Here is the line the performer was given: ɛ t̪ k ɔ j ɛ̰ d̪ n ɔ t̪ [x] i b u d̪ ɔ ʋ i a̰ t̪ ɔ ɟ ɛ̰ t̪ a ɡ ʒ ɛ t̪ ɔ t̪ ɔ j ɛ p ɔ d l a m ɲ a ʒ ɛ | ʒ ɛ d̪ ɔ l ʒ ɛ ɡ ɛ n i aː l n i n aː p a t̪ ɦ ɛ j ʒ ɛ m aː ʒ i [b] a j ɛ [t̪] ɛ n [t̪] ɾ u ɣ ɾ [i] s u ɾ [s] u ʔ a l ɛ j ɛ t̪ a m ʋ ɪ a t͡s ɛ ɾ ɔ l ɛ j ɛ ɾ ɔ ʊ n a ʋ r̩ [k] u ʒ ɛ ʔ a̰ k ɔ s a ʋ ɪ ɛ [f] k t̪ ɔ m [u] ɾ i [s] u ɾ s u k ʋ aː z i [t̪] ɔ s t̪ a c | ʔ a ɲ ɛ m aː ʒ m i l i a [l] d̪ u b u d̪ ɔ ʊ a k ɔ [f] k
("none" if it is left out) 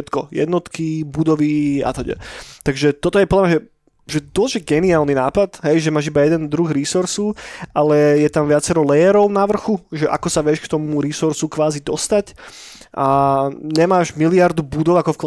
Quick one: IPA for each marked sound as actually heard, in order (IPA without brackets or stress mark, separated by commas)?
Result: k, b, d̪, d̪, i, s, x, ʃ, u, s, d̪, ɾ, f